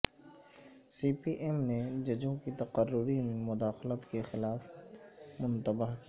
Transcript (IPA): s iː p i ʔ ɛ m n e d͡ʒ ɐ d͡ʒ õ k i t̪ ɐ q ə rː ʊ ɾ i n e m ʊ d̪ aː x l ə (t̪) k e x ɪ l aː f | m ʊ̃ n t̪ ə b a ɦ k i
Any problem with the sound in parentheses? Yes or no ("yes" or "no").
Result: no